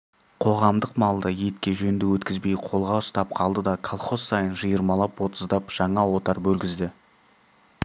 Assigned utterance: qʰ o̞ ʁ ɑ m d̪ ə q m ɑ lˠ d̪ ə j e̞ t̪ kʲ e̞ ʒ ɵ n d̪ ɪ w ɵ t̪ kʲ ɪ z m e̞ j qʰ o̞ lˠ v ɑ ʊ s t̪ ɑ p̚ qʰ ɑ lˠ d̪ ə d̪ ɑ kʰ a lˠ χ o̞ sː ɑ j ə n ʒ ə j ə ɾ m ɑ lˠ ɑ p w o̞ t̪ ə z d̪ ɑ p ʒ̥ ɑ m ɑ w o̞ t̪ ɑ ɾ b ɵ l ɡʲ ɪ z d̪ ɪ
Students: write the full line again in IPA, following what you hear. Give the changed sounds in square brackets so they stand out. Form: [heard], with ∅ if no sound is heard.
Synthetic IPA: qʰ o̞ ʁ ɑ m d̪ ə q m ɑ lˠ d̪ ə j e̞ t̪ kʲ e̞ ʒ ɵ n d̪ ɪ w ɵ t̪ kʲ ɪ z [b] e̞ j qʰ o̞ lˠ [ʁ] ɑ ʊ s t̪ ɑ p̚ qʰ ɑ lˠ d̪ ə d̪ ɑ kʰ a lˠ χ o̞ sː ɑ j ə n ʒ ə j ə ɾ m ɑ lˠ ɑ p w o̞ t̪ ə z d̪ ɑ p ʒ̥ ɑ [ɴ] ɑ w o̞ t̪ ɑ ɾ b ɵ l ɡʲ ɪ z d̪ ɪ